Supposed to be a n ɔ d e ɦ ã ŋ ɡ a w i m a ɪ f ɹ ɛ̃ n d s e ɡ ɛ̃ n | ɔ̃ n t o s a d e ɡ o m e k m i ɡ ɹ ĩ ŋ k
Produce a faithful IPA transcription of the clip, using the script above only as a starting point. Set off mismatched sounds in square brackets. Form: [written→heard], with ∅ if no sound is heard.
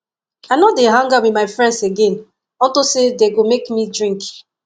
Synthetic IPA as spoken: a n ɔ d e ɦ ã ŋ ɡ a w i m a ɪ f ɹ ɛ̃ n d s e ɡ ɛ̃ n | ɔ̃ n t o s [a→e] d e ɡ o m e k m i [ɡ→d] ɹ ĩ ŋ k